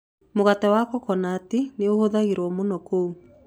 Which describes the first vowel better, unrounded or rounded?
rounded